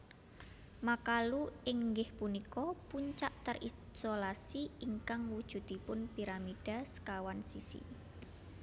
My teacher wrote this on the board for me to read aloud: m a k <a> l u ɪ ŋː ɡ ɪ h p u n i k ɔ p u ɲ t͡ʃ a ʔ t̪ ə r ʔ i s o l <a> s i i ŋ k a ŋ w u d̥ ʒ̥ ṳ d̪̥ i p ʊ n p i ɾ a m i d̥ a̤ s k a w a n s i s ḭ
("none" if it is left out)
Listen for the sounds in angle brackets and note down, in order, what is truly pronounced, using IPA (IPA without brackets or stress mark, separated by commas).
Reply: a, a